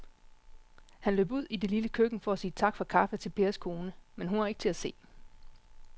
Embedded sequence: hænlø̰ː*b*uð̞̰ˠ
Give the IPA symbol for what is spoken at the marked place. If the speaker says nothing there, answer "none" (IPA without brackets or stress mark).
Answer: b